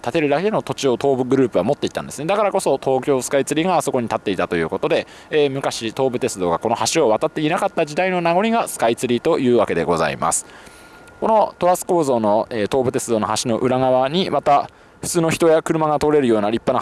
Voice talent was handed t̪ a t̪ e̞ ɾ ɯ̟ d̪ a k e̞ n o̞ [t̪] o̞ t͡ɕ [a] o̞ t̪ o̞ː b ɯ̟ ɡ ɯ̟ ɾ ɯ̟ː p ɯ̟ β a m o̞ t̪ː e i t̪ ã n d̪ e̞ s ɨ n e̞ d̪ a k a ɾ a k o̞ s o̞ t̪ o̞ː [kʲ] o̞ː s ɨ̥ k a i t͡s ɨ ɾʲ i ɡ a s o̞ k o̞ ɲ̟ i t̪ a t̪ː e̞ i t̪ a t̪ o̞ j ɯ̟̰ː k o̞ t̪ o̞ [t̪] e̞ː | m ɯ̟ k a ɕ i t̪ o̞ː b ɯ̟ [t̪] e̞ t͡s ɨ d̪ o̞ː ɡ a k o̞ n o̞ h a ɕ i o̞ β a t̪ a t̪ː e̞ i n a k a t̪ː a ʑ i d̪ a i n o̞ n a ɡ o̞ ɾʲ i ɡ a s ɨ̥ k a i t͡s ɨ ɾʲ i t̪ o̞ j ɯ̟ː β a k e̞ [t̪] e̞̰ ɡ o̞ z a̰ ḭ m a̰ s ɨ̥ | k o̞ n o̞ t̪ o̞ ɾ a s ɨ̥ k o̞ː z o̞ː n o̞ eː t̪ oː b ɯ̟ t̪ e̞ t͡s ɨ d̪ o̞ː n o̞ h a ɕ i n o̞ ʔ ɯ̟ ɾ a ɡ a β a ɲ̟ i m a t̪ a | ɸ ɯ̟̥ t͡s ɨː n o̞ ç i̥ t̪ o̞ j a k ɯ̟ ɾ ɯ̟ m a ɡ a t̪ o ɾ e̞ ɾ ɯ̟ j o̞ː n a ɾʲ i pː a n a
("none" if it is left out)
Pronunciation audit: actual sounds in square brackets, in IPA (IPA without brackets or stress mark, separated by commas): t̪, i, kʲ, d̪, t̪, d̪